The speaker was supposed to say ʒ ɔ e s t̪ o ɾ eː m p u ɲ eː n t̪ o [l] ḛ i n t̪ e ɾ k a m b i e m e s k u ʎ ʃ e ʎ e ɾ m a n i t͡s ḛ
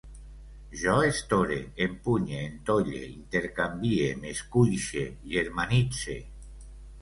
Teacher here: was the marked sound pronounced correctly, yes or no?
no